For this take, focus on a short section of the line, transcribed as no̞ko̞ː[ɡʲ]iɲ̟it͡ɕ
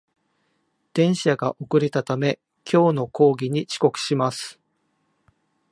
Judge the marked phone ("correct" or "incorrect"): correct